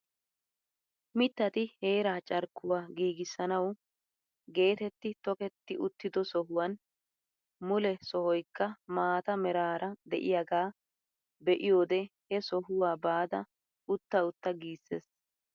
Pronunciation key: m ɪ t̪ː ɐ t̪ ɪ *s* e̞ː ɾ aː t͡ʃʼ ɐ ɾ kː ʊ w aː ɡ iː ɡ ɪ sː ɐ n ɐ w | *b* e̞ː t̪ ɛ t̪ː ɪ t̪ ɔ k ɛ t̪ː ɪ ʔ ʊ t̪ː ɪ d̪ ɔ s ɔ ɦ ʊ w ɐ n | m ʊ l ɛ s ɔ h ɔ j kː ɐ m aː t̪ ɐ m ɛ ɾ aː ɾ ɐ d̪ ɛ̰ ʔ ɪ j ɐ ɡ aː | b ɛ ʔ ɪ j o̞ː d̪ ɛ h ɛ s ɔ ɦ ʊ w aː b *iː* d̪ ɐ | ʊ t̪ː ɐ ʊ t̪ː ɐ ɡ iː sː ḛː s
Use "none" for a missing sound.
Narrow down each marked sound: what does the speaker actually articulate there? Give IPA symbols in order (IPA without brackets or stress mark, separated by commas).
h, ɡ, aː